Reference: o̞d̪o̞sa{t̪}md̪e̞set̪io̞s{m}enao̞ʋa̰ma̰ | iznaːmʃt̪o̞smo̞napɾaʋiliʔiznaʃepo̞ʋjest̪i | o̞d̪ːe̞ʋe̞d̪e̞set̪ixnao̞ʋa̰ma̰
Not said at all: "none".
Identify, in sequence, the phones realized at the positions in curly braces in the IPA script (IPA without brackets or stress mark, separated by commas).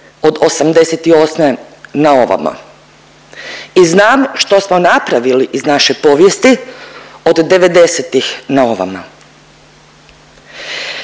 none, m